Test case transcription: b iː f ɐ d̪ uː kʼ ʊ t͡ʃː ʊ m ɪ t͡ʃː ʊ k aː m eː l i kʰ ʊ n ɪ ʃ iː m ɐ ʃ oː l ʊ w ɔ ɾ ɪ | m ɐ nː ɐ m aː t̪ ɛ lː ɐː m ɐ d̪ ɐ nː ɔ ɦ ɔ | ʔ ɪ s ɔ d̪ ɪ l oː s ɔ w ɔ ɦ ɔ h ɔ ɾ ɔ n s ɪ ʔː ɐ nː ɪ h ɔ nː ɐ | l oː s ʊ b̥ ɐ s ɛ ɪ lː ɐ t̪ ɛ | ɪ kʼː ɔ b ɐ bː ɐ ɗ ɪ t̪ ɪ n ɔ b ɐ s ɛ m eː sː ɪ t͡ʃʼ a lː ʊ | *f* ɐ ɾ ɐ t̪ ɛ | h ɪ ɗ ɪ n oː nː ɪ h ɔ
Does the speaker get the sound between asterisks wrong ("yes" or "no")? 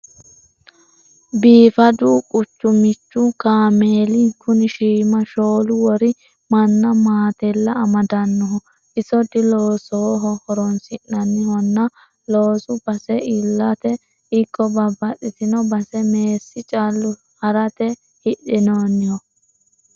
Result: yes